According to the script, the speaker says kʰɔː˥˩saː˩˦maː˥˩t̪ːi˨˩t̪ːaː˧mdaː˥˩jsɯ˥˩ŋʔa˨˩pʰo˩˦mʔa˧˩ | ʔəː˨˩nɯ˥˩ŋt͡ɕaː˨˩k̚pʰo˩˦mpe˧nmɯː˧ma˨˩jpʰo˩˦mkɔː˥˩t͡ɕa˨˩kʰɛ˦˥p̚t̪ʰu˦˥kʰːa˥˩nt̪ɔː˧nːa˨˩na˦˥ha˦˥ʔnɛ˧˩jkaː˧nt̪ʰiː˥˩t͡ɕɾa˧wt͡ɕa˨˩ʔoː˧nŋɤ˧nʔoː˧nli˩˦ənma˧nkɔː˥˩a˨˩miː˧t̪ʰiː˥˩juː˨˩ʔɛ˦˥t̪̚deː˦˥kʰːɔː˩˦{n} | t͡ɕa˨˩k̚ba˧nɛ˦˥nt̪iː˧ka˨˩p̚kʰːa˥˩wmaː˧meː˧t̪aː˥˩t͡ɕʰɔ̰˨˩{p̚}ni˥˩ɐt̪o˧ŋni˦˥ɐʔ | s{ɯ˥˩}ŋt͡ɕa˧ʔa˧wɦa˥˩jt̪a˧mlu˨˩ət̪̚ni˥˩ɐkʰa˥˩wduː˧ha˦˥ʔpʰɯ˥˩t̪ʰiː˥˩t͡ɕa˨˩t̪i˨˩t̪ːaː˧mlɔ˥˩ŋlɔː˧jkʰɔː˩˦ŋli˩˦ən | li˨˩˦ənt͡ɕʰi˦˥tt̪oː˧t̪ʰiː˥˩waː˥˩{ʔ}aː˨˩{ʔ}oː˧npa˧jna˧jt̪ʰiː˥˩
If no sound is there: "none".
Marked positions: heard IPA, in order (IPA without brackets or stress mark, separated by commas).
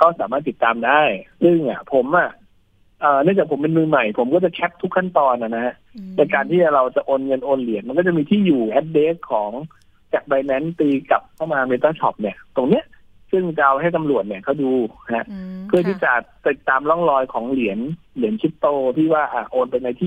ŋ, p̚, ɯ˥˩, ʔ, ʔ